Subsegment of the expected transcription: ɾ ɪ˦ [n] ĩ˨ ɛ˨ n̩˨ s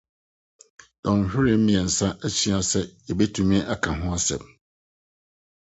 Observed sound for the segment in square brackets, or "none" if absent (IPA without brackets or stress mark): m